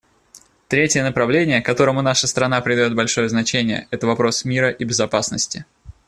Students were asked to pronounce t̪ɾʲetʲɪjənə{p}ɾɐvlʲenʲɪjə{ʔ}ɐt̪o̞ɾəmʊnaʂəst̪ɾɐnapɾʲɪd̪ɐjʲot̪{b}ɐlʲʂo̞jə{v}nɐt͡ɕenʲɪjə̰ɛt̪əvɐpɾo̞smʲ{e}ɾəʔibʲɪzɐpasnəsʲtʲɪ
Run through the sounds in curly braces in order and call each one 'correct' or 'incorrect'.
correct, incorrect: k, correct, incorrect: z, incorrect: i

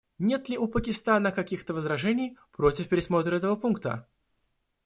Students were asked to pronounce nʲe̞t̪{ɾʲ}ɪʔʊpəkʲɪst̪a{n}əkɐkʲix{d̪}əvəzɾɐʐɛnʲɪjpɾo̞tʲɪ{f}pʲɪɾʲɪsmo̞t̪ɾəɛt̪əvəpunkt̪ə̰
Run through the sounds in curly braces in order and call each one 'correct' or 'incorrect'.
incorrect: lʲ, correct, incorrect: t̪, correct

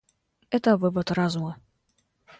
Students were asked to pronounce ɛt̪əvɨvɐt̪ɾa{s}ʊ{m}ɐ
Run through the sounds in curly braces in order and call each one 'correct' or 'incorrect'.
incorrect: z, correct

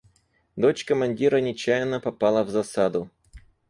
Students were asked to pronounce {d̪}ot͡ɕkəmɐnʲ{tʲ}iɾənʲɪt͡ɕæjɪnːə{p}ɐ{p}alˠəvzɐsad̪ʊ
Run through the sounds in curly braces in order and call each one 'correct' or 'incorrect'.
correct, incorrect: dʲ, correct, correct

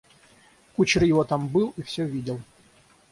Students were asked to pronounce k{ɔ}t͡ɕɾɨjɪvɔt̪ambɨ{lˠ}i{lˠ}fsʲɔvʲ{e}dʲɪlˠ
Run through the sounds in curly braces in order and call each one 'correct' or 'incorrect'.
incorrect: u, correct, incorrect: none, incorrect: i

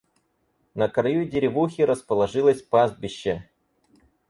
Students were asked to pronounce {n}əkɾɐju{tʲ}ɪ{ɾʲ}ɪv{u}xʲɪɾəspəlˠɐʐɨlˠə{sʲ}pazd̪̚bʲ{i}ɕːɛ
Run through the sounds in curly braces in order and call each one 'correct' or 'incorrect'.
correct, incorrect: dʲ, correct, correct, correct, incorrect: ɪ

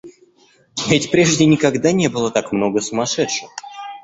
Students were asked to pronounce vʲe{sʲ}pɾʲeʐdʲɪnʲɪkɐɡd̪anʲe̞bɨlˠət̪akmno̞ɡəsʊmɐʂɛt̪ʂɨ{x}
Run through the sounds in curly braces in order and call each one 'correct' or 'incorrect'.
incorrect: tʲ, correct

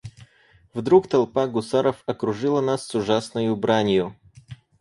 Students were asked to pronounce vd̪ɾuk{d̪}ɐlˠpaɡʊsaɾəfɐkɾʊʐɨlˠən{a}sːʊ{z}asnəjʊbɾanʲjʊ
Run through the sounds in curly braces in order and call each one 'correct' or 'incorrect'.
incorrect: t̪, correct, incorrect: ʐ

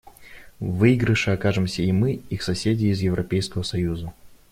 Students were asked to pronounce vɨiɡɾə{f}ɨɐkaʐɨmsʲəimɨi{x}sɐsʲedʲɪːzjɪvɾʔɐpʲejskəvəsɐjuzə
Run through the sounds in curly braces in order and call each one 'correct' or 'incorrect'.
incorrect: ʂ, correct

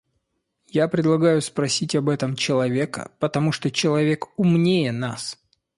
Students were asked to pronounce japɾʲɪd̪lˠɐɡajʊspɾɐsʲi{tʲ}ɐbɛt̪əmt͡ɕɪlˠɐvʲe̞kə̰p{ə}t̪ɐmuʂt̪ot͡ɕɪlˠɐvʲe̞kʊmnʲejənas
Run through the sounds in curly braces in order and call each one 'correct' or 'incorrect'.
correct, correct

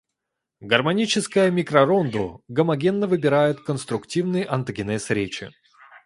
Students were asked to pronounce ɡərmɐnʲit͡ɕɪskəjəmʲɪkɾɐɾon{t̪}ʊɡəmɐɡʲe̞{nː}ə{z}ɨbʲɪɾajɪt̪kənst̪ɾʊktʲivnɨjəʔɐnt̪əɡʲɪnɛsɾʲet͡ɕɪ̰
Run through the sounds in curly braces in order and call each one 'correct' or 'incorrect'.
incorrect: d̪, correct, incorrect: v

